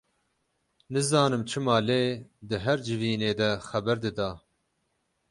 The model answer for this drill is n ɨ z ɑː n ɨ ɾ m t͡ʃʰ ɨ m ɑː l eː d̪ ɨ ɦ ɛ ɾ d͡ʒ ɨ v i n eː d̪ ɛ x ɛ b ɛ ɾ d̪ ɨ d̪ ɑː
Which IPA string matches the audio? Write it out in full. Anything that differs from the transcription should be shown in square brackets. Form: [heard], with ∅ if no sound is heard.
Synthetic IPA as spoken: n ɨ z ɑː n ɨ [∅] m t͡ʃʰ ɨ m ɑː l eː d̪ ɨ ɦ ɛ ɾ d͡ʒ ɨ v [iː] n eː d̪ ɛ x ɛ b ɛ ɾ d̪ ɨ d̪ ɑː